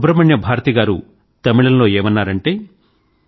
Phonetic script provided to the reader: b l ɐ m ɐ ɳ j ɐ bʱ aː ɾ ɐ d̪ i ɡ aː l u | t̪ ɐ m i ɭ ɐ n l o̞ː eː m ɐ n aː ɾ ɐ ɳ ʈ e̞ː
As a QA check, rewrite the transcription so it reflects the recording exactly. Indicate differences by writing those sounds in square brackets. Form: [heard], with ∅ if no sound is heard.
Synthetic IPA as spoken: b [ɾ] ɐ m ɐ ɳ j ɐ bʱ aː ɾ ɐ [t̪] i ɡ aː [ɾ] u | t̪ ɐ m i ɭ ɐ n l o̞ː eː m ɐ [nː] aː ɾ ɐ ɳ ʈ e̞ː